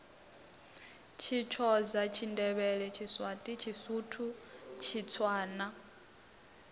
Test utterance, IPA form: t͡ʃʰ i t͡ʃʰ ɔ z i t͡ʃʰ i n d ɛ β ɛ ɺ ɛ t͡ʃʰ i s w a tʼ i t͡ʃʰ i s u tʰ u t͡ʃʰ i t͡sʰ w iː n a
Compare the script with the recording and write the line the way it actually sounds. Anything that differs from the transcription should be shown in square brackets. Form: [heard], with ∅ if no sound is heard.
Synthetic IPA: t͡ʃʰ i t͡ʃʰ ɔ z [a] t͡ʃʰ i n d ɛ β ɛ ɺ ɛ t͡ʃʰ i s w a tʼ i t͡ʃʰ i s u tʰ u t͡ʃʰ i t͡sʰ w [aː] n a